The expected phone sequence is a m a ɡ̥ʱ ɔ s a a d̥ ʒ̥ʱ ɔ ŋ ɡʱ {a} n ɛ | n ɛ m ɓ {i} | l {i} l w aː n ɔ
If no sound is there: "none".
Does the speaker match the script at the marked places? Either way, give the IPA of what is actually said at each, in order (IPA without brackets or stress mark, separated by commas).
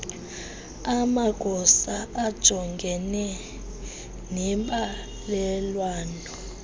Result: ɛ, a, ɛ